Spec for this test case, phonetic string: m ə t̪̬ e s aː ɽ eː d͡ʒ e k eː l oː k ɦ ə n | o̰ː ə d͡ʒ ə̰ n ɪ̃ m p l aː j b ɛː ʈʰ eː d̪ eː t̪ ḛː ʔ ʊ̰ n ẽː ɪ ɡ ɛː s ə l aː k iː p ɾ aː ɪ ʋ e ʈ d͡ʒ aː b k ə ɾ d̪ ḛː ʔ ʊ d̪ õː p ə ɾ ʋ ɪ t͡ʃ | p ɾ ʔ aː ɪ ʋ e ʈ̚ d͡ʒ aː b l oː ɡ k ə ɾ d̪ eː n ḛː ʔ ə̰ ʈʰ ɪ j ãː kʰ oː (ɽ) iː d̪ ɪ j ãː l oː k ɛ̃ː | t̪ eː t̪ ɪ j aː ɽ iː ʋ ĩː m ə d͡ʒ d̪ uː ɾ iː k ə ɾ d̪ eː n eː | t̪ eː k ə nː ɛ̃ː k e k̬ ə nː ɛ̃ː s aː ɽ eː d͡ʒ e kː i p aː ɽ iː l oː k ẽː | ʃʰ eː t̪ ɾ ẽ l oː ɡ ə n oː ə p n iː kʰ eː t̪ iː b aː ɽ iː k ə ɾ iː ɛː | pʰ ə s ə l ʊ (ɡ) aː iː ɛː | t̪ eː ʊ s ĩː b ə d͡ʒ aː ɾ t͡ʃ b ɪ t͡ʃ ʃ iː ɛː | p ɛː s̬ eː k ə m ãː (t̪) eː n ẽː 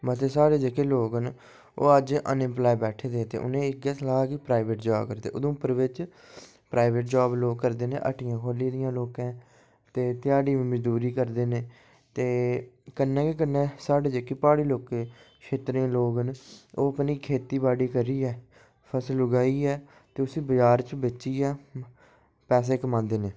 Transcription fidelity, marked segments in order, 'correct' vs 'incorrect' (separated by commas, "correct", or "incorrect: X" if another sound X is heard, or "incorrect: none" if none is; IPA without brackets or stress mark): incorrect: l, correct, incorrect: d̪